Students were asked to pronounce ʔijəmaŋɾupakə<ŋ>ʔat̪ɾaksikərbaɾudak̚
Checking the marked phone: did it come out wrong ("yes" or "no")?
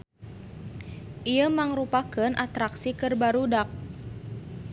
yes